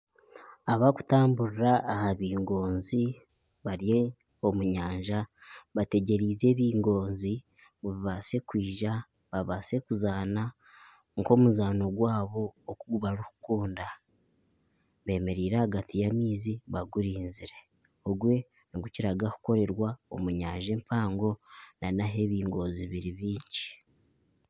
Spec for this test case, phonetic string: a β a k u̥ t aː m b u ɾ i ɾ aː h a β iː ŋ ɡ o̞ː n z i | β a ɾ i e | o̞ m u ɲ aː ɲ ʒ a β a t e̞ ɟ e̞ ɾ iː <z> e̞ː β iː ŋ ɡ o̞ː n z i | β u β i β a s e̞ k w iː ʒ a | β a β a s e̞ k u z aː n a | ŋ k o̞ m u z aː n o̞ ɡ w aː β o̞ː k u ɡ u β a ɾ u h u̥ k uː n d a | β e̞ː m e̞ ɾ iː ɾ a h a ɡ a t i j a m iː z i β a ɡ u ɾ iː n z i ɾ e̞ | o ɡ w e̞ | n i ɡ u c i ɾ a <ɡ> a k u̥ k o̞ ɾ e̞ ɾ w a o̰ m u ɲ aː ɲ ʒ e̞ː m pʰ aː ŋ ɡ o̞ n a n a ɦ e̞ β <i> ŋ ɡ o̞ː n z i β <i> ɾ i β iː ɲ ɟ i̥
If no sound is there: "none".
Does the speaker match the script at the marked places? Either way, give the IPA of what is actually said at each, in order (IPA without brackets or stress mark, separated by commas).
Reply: z, ɡ, iː, i